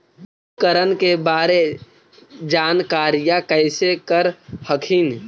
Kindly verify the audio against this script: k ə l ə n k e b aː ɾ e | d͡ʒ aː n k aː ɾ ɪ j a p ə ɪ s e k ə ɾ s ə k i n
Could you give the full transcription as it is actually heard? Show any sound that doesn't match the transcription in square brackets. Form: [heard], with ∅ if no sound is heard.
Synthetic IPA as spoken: k ə [ɾ] ə n k e b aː ɾ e | d͡ʒ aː n k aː ɾ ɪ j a [k] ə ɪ s e k ə ɾ [h] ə [kʰ] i n